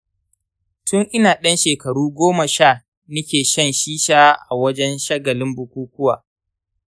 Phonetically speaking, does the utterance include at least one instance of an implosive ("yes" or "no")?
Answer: yes